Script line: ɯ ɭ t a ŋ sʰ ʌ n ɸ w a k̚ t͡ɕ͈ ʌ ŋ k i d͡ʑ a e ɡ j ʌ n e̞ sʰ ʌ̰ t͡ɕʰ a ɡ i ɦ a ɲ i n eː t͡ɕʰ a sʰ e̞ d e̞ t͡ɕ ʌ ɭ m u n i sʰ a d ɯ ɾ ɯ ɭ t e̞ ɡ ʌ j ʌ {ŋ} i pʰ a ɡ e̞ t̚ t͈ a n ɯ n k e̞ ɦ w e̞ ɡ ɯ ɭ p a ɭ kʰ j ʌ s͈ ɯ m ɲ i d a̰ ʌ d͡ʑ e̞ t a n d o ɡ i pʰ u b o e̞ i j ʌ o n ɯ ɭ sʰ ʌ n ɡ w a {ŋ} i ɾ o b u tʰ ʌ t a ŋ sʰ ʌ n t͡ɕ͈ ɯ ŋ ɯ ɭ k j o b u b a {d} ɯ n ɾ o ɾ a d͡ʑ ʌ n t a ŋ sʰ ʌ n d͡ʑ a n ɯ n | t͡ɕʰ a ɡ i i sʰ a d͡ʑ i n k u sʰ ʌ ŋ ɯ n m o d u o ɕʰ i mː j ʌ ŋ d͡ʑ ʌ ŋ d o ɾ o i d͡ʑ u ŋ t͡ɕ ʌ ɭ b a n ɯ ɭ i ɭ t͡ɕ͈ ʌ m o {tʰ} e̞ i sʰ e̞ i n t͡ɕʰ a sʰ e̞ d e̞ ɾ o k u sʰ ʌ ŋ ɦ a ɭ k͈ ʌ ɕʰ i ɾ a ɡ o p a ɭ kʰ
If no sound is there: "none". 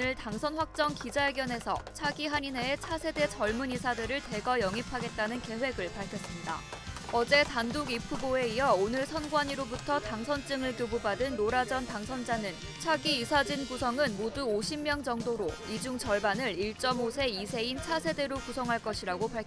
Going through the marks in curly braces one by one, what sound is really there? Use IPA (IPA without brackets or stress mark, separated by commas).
ŋ, ɲ, d, sʰ